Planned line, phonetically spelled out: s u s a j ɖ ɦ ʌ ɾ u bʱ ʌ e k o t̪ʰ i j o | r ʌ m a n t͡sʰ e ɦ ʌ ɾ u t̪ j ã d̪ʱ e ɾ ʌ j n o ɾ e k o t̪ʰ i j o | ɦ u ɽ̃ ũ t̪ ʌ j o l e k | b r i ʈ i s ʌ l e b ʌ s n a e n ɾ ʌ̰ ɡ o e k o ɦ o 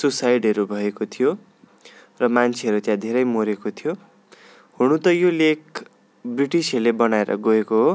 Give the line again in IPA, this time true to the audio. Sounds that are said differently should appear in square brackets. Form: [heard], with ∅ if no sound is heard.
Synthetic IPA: s u s a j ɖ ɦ ʌ ɾ u bʱ ʌ e k o t̪ʰ i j o | r ʌ m a n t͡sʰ e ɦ ʌ ɾ u t̪ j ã d̪ʱ e ɾ ʌ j [m] o ɾ e k o t̪ʰ i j o | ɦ u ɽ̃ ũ t̪ ʌ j o l e k | b r i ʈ i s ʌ l e b ʌ [∅] n a e [∅] ɾ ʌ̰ ɡ o e k o ɦ o